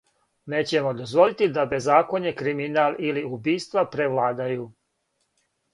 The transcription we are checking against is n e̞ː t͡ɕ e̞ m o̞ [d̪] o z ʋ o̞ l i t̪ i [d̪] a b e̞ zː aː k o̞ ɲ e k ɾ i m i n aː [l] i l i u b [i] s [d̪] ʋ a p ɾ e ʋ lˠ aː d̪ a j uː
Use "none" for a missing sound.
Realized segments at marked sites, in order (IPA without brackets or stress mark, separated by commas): d̪, d̪, l, iː, t̪